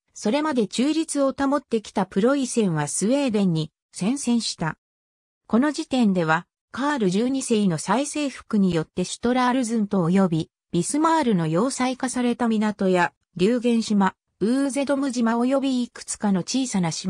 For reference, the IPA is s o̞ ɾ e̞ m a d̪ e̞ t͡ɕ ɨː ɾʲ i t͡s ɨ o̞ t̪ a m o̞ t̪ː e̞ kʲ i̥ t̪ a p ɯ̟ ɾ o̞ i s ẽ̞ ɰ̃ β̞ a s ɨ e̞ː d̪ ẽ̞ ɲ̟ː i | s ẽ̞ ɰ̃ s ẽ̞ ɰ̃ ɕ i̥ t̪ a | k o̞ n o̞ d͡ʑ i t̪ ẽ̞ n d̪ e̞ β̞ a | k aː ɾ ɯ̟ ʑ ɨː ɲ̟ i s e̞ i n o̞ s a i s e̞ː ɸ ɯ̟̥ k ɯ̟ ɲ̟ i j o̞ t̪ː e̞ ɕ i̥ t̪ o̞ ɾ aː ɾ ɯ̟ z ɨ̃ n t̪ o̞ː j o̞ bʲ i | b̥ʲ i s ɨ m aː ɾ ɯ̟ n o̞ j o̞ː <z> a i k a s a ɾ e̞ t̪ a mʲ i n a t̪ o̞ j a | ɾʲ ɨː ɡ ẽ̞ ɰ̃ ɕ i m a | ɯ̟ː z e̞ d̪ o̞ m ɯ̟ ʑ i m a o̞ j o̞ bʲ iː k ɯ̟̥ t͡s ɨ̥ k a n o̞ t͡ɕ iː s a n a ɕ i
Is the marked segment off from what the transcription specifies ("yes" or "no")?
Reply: yes